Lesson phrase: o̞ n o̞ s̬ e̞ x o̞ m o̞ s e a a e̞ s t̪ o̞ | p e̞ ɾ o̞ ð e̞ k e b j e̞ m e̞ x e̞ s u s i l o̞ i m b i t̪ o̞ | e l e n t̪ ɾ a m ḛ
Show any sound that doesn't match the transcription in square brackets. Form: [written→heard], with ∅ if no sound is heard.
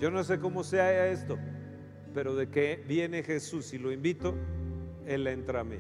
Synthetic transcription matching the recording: o̞ n o̞ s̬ e̞ [x→k] o̞ m o̞ s e a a e̞ s t̪ o̞ | p e̞ ɾ o̞ ð e̞ k e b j e̞ [m→n] e̞ x e̞ s u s i l o̞ i m b i t̪ o̞ | e l e n t̪ ɾ a m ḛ